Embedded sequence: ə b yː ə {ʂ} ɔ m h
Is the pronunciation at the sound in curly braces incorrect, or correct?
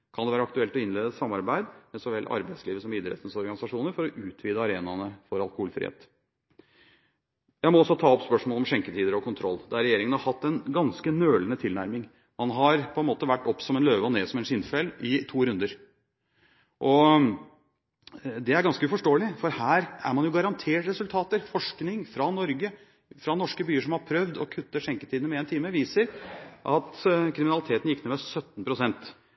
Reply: correct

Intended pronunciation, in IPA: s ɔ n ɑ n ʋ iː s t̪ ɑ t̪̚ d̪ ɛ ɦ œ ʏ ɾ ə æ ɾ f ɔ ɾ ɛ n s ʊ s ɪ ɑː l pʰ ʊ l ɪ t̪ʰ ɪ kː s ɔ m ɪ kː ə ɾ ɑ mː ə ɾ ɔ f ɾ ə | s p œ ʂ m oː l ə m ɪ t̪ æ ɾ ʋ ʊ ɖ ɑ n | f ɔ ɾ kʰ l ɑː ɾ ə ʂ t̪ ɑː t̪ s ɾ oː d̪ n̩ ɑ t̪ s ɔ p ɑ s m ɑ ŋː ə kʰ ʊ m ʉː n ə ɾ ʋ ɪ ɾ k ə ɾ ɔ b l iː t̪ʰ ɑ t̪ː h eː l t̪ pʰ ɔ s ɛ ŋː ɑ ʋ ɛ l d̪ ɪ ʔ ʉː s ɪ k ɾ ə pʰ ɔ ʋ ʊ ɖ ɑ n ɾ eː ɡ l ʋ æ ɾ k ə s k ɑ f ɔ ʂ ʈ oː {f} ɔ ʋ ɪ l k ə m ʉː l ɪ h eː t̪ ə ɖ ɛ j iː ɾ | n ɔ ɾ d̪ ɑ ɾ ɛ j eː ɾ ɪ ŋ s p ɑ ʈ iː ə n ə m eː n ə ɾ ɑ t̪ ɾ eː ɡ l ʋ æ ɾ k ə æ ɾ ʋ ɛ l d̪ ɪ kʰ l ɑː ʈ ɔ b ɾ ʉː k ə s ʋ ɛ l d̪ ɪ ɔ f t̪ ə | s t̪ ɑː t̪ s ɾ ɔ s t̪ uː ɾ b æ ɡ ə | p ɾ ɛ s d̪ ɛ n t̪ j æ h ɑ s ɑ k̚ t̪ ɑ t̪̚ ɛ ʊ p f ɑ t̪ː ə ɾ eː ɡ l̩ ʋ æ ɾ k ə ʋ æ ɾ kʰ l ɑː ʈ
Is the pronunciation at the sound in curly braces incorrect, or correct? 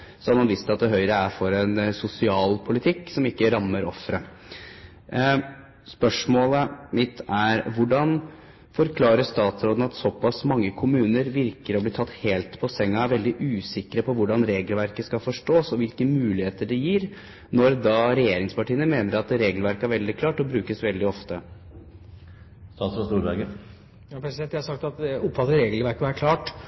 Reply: incorrect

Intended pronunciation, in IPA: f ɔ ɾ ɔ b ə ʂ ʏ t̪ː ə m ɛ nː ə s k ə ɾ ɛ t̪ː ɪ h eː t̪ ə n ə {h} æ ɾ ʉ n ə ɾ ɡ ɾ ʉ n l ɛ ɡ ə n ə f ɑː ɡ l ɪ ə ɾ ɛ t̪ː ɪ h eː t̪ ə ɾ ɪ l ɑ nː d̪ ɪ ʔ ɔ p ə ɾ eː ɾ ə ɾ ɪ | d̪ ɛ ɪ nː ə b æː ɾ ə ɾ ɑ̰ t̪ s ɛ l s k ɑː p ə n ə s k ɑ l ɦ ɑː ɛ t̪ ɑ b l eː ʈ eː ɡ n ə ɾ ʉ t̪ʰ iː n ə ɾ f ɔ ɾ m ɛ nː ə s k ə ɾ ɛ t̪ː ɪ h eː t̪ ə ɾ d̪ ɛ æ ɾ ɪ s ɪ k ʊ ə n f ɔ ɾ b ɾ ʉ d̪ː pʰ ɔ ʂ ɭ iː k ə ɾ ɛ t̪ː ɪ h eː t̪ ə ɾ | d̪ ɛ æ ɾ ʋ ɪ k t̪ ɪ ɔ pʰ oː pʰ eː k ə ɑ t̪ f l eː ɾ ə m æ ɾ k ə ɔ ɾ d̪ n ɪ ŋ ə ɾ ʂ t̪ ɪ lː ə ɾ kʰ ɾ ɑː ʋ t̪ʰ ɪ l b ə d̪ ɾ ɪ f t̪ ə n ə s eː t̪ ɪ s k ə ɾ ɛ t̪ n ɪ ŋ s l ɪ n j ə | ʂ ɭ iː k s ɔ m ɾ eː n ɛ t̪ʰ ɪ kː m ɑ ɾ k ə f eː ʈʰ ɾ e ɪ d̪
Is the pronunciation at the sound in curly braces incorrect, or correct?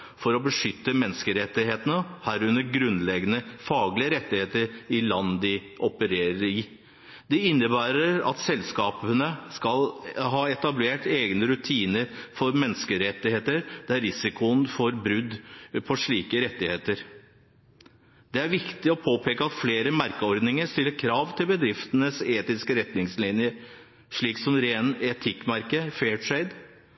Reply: correct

